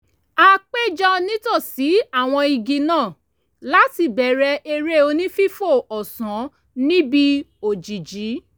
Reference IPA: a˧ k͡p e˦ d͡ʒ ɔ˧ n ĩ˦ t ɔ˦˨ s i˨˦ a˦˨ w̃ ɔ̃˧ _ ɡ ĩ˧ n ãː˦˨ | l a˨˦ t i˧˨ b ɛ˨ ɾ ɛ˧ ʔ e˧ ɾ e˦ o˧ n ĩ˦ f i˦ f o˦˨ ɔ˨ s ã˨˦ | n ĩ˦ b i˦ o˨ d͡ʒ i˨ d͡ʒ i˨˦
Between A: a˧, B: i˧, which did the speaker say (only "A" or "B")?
B